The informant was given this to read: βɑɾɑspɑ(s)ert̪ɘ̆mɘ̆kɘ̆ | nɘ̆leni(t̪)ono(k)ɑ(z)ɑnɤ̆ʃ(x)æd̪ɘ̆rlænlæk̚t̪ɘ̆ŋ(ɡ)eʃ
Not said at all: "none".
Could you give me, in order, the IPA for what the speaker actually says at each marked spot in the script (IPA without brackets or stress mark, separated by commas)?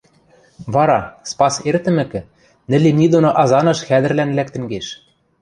s, d̪, ʔ, z, x, ɡ